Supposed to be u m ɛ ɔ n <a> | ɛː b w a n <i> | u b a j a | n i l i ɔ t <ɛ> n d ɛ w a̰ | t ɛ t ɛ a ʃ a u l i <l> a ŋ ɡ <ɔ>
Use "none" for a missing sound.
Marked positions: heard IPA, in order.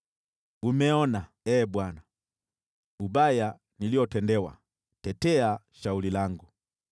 a, a, ɛ, l, u

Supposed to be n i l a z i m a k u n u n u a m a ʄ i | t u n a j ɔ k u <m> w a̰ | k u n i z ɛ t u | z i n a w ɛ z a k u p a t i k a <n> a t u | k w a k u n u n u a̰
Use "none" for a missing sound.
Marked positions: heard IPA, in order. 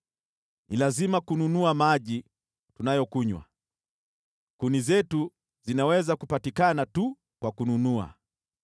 ɲ, n

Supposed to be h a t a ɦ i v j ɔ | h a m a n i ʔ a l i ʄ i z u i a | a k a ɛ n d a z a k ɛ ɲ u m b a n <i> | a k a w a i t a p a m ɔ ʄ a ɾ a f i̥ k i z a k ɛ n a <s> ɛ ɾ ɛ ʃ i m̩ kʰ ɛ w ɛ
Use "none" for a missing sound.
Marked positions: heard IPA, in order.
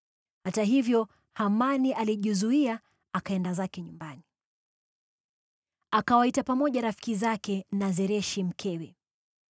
i, z

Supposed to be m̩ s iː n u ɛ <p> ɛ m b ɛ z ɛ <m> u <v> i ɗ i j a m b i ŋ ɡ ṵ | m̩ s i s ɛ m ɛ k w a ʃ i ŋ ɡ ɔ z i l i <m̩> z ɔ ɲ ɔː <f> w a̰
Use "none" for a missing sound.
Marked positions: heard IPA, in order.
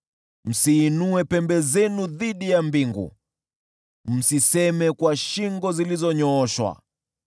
p, n, ð, none, ʃ

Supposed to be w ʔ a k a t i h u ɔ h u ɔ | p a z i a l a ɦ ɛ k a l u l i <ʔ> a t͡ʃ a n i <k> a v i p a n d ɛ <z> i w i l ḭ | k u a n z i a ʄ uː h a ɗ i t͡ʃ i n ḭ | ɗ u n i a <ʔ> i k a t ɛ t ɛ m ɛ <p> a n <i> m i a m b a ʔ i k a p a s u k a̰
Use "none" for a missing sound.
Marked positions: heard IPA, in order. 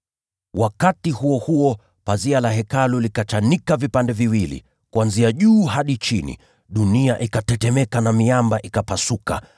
k, k, v, ʔ, k, a

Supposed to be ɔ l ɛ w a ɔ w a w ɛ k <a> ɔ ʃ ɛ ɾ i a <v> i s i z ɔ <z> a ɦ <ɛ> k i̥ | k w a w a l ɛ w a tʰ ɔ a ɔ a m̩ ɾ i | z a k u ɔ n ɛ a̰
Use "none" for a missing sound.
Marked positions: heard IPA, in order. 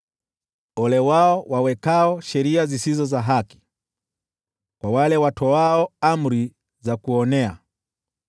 a, z, z, a

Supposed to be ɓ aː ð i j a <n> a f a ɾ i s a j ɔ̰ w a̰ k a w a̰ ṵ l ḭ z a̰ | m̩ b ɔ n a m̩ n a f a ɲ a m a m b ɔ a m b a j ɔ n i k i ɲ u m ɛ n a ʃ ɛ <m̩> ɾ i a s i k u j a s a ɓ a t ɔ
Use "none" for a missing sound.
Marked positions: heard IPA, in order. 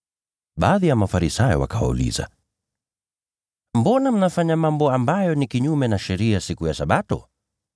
m, none

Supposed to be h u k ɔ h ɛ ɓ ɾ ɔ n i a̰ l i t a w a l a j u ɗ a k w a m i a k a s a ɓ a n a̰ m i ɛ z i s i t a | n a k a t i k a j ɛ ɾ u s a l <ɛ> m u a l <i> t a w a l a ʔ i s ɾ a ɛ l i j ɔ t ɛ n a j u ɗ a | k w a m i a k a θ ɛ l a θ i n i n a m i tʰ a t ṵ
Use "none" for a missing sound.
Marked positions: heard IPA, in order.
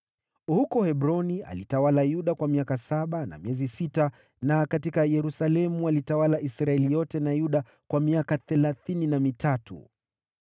ɛ, i

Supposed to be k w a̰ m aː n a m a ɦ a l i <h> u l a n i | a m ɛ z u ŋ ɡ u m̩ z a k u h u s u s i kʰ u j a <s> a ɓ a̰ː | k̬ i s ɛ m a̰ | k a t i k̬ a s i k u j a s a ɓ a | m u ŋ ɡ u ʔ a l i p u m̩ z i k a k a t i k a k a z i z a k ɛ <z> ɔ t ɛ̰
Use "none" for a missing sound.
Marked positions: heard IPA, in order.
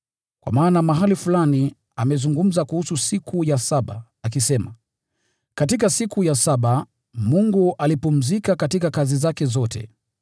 f, s, z

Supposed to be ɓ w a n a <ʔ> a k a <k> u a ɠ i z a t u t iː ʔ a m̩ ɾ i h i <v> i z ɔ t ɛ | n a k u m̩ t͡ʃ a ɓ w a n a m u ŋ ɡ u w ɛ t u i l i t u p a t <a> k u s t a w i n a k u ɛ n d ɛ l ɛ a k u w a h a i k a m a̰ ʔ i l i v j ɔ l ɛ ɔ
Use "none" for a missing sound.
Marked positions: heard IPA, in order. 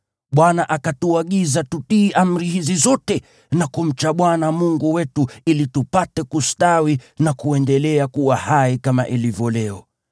ʔ, t, z, ɛ

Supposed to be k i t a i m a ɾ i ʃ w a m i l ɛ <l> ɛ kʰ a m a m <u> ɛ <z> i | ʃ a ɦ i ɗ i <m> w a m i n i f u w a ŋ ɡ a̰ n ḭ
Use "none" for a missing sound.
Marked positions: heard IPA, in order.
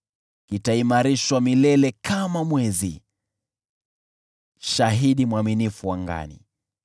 l, w, z, m

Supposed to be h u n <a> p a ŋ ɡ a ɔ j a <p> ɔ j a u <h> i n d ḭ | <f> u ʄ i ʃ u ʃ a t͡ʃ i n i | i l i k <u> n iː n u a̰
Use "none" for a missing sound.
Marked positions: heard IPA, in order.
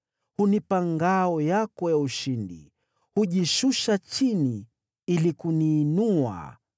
i, k, ʃ, h, u

